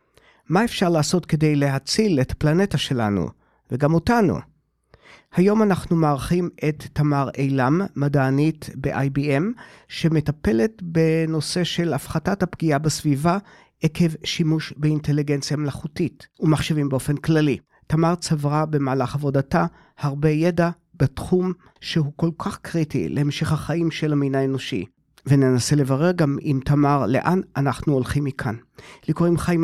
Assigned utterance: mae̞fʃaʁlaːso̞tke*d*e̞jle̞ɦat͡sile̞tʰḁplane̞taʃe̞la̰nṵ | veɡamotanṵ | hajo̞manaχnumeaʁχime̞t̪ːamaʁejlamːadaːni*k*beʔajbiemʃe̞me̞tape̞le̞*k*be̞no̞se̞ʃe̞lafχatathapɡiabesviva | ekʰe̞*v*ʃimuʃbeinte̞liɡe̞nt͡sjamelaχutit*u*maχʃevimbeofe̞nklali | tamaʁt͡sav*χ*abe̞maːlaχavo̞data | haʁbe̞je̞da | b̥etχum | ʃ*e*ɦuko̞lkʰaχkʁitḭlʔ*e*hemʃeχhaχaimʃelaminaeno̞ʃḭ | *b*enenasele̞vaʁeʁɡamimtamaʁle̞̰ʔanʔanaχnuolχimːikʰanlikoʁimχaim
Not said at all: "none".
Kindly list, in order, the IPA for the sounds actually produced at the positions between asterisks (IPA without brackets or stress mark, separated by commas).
d, t, t, v, u, ʁ, e, e, v